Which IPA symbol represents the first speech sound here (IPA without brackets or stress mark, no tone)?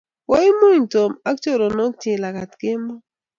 w